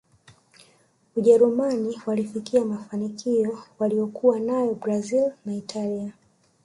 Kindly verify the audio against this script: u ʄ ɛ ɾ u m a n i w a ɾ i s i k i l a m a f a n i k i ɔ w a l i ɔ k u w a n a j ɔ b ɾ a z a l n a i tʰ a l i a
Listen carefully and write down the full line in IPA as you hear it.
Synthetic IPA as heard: u ʄ ɛ ɾ u m a n i w a l i f i k i a m a f a n i k i ɔ w a l i ɔ k u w a n a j ɔ b ɾ a z i l n a i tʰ a l i a